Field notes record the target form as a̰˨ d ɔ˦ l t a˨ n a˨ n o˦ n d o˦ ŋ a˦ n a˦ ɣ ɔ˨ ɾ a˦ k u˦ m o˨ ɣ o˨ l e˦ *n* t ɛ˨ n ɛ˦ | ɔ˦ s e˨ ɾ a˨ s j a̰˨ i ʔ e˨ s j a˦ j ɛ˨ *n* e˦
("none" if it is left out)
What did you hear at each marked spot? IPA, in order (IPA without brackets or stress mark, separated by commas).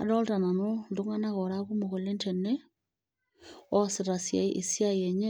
n, ɲ